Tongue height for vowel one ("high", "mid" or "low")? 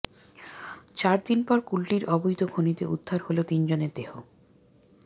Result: low